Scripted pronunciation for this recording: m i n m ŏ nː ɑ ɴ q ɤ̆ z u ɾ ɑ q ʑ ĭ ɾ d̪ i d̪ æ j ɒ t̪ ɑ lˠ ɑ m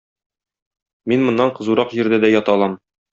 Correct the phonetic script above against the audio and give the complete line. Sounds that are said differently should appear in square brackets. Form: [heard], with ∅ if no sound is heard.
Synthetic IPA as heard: m i n m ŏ nː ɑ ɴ q ɤ̆ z u ɾ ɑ q ʑ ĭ ɾ d̪ [æ] d̪ æ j ɒ t̪ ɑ lˠ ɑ m